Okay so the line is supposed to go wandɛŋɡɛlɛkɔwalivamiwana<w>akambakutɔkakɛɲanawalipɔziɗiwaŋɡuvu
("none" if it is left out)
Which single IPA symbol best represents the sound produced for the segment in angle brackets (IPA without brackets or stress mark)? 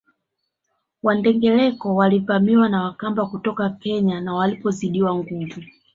w